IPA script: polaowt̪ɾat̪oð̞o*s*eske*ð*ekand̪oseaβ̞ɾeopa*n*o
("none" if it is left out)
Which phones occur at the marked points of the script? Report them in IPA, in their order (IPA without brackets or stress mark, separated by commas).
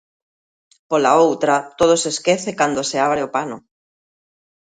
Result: s, θ, n